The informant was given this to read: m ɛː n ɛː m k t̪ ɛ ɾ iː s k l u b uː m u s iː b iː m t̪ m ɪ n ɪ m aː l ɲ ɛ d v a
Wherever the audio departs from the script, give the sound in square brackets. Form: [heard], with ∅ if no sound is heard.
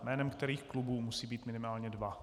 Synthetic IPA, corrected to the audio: m ɛː n [ɛ] m k t̪ ɛ ɾ iː [x] k l u b uː m u s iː b iː [∅] t̪ m ɪ n ɪ m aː l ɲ ɛ d v a

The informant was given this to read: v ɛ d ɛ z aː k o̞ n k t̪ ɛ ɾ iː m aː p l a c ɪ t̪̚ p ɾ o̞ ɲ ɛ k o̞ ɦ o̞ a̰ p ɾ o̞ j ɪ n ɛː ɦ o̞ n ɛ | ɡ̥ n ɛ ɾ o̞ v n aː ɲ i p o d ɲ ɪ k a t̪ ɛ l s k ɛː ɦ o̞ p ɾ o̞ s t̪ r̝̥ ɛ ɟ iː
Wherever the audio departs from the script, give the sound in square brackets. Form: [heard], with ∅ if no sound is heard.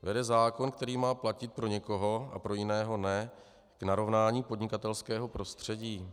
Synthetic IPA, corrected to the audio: v ɛ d ɛ z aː k o̞ n k t̪ ɛ ɾ iː m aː p l a c ɪ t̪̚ p ɾ o̞ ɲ ɛ k o̞ ɦ o̞ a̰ p ɾ o̞ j ɪ n ɛː ɦ o̞ n ɛ | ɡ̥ n [a] ɾ o̞ v n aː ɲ [iː] p o d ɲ ɪ k a t̪ ɛ l s k ɛː ɦ o̞ p ɾ o̞ s t̪ r̝̥ ɛ ɟ iː

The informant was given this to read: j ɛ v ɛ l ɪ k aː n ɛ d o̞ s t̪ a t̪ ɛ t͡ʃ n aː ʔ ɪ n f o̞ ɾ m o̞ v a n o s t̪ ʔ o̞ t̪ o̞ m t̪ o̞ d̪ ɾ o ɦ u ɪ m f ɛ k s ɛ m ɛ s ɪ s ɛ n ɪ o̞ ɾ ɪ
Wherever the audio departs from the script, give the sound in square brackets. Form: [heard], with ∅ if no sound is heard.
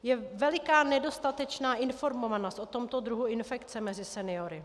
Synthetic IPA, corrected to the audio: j ɛ v ɛ l ɪ k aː n ɛ d o̞ s t̪ a t̪ ɛ t͡ʃ n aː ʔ ɪ n f o̞ ɾ m o̞ v a n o s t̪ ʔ o̞ t̪ o̞ m t̪ o̞ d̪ ɾ [u] ɦ u ɪ [n] f ɛ k [t͡s] ɛ m ɛ [z] ɪ s ɛ n ɪ o̞ ɾ ɪ

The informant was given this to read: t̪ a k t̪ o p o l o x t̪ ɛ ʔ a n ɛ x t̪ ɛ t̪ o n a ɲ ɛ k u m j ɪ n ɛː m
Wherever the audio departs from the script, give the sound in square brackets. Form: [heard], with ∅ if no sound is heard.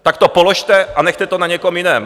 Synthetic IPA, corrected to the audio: t̪ a k t̪ o p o l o [ʃ] t̪ ɛ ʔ a n ɛ x t̪ ɛ t̪ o n a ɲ ɛ k [o] m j ɪ n ɛː m

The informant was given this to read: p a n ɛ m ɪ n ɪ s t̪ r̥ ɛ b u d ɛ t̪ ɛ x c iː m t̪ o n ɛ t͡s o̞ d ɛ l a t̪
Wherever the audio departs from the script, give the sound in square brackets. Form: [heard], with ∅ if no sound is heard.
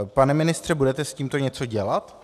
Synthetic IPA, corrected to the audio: p a n ɛ m ɪ n ɪ s t̪ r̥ ɛ b u d ɛ t̪ ɛ [s] c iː m t̪ o [ɲ] ɛ t͡s o̞ [ɟ] ɛ l a t̪

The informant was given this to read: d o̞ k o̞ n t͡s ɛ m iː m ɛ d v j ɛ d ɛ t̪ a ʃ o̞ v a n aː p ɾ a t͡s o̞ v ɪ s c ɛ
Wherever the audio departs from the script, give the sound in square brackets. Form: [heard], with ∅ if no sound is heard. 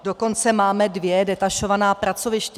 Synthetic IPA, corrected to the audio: d o̞ k o̞ n t͡s ɛ m [aː] m ɛ d v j ɛ d ɛ t̪ a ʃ o̞ v a n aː p ɾ a t͡s o̞ v ɪ [ʃ] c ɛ

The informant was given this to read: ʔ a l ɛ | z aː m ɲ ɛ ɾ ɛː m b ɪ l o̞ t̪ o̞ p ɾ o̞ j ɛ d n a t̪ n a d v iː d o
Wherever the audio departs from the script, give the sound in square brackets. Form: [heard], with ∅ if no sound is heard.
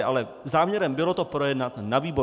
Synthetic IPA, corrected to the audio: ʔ a l ɛ | z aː m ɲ ɛ ɾ [ɛ] m b ɪ l o̞ t̪ o̞ p ɾ o̞ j ɛ d n a t̪ n a [∅] v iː [b] o

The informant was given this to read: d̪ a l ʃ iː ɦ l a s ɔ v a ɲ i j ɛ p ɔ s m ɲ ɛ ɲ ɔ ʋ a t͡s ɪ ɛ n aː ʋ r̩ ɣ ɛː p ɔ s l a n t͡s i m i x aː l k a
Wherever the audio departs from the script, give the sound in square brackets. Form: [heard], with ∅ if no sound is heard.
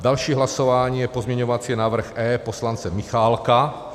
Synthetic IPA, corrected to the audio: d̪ a l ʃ iː ɦ l a s ɔ [ʋ] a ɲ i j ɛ p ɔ [z] m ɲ ɛ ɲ ɔ ʋ a t͡s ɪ ɛ n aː ʋ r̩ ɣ ɛː p ɔ s l a n t͡s [ɛ] m i x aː l k a

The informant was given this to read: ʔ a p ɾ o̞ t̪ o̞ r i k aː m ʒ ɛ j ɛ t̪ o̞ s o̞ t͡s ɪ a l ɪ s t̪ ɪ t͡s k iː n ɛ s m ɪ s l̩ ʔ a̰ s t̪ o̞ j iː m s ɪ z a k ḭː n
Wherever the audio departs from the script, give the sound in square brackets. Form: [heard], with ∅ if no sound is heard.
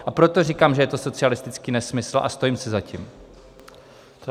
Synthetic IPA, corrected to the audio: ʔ a p ɾ o̞ t̪ o̞ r i k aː m ʒ ɛ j ɛ t̪ o̞ s o̞ t͡s ɪ a l ɪ s t̪ ɪ t͡s k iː n ɛ s m ɪ s l̩ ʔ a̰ s t̪ o̞ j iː m s ɪ z a [c] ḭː [m]

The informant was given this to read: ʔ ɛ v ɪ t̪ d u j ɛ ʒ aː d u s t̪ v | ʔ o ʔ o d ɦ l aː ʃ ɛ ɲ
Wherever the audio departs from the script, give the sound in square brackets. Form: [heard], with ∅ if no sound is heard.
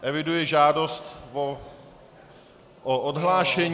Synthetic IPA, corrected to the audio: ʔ ɛ v ɪ [∅] d u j ɛ ʒ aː d [o] s t̪ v | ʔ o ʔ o d ɦ l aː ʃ ɛ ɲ

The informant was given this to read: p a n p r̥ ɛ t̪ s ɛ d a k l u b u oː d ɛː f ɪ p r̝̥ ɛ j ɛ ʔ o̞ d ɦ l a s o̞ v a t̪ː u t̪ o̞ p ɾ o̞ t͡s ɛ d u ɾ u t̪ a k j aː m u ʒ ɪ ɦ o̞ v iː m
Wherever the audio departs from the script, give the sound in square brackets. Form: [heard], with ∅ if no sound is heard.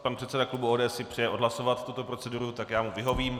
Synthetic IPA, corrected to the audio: p a n p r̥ ɛ t̪ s ɛ d a k l u b u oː d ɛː [s] ɪ p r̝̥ ɛ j ɛ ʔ o̞ d ɦ l a s o̞ v a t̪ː u t̪ o̞ p ɾ o̞ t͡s ɛ d u ɾ u t̪ a k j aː m u [v] ɪ ɦ o̞ v iː m

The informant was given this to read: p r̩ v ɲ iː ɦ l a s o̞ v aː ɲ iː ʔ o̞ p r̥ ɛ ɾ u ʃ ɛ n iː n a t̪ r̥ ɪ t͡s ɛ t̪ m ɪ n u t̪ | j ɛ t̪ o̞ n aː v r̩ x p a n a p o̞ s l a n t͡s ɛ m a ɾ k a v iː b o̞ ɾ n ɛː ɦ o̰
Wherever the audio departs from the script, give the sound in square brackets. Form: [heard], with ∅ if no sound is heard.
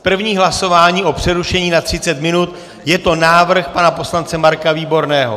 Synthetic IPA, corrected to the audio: p r̩ v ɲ iː ɦ l a s o̞ v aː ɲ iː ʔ o̞ p r̥ ɛ ɾ u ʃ ɛ [ɲ] iː n a t̪ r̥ ɪ t͡s ɛ t̪ m ɪ n u t̪ | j ɛ t̪ o̞ n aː v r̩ x p a n a p o̞ s l a n t͡s ɛ m a ɾ k a v iː b o̞ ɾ n ɛː ɦ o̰

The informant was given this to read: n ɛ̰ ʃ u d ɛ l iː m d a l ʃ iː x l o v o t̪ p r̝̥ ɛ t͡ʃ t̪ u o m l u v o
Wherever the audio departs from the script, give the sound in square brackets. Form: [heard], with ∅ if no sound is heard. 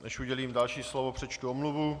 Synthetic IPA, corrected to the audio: n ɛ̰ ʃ u [ɟ] ɛ l iː m d a l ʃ iː [s] l o v o [∅] p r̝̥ ɛ t͡ʃ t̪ u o m l u v [u]

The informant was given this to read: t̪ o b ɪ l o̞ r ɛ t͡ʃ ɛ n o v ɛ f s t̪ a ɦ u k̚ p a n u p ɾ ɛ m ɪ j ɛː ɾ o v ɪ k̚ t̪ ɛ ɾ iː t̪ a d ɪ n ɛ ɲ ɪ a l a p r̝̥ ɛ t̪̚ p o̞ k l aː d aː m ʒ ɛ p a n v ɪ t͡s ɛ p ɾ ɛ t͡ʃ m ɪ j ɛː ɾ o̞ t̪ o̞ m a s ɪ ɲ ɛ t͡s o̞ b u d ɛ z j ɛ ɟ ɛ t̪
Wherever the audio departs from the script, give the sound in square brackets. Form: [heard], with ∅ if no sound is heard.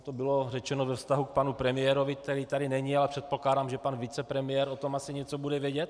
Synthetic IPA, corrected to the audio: t̪ o b ɪ l o̞ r ɛ t͡ʃ ɛ n o v ɛ f s t̪ a ɦ u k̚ p a n u p ɾ ɛ m ɪ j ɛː ɾ o v ɪ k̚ t̪ ɛ ɾ iː t̪ a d ɪ n ɛ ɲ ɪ a l [ɛ] p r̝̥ ɛ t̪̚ p o̞ k l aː d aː m ʒ ɛ p a n v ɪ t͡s ɛ p ɾ ɛ [∅] m ɪ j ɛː ɾ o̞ t̪ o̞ m a s ɪ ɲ ɛ t͡s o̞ b u d ɛ [v] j ɛ ɟ ɛ t̪

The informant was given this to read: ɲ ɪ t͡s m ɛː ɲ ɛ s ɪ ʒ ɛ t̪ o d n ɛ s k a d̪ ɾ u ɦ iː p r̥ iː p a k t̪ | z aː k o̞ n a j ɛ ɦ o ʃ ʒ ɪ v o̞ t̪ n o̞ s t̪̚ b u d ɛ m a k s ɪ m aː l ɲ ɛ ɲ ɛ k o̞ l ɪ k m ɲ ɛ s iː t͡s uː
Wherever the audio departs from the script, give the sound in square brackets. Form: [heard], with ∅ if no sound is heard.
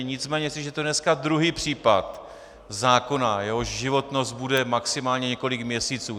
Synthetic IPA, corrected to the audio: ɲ ɪ t͡s m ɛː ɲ ɛ s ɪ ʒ ɛ t̪ o d n ɛ s k a d̪ ɾ u ɦ iː p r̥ iː p a [∅] t̪ | z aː k o̞ n a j ɛ ɦ o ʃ ʒ ɪ v o̞ t̪ n o̞ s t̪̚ b u d ɛ m a k s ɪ m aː l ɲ ɛ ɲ ɛ k o̞ l ɪ k m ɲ ɛ s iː t͡s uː

